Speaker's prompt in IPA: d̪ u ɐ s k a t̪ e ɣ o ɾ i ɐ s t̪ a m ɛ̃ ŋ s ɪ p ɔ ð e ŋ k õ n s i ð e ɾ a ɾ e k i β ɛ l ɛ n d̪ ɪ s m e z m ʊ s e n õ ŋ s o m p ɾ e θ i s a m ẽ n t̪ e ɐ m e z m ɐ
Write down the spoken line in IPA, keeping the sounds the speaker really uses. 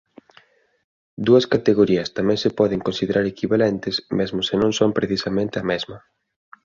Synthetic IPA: d̪ u ɐ s k a t̪ e ɣ o ɾ i ɐ s t̪ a m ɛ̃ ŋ s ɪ p ɔ ð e ŋ k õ n s i ð e ɾ a ɾ e k i β a l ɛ n t̪ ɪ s m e z m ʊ s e n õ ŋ s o m p ɾ e θ i s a m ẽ n t̪ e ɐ m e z m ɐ